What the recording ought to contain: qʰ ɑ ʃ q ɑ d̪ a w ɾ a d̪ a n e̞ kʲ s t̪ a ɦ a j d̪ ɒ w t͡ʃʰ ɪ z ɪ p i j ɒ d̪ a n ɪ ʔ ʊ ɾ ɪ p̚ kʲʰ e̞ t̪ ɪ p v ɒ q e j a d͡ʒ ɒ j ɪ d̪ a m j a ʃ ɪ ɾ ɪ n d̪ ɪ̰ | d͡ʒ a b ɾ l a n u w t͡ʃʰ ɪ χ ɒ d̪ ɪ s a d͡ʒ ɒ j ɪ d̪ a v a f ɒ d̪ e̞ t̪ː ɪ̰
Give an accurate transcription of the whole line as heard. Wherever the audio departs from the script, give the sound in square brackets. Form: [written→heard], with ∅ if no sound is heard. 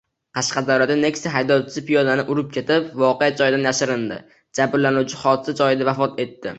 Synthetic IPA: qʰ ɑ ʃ q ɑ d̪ a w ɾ a d̪ a n e̞ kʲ s t̪ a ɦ a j d̪ ɒ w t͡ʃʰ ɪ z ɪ p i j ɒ d̪ a n ɪ ʔ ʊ ɾ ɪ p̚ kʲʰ e̞ t̪ ɪ p v ɒ q e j a d͡ʒ ɒ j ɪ d̪ a [m→n] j a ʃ ɪ ɾ ɪ n d̪ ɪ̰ | d͡ʒ a b ɾ l a n u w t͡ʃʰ ɪ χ ɒ d̪ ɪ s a d͡ʒ ɒ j ɪ d̪ a v a f ɒ [d̪→t̪] e̞ t̪ː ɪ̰